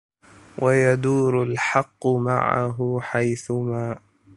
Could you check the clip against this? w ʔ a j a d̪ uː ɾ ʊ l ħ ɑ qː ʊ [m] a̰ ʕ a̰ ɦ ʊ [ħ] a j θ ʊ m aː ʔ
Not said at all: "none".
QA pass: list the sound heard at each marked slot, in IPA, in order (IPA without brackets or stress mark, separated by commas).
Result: m, ħ